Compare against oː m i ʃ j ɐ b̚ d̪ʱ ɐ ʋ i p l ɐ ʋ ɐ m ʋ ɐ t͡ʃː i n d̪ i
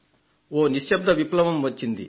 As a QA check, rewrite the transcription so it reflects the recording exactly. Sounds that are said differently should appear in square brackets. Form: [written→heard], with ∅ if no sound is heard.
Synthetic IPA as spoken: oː [m→n] i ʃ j ɐ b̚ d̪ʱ ɐ ʋ i p l ɐ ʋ ɐ m ʋ ɐ t͡ʃː i n d̪ i